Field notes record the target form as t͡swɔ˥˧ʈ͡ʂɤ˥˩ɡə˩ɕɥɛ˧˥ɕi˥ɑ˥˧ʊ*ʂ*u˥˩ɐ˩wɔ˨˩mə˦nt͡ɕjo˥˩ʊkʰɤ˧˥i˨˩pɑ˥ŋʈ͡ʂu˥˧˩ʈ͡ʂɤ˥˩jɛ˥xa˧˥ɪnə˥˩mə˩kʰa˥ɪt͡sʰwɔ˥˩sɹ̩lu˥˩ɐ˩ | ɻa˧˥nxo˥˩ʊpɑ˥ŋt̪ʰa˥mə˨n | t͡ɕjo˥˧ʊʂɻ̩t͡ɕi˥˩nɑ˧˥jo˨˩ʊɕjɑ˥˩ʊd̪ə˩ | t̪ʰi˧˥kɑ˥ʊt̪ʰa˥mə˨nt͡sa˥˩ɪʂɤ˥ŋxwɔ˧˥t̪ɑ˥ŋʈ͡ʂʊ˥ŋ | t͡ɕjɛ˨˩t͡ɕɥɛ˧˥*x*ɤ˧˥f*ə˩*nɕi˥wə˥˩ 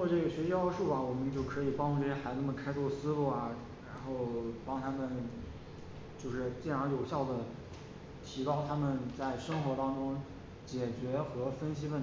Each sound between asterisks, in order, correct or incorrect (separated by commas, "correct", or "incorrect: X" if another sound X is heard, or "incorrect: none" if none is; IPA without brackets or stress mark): correct, correct, incorrect: ə˥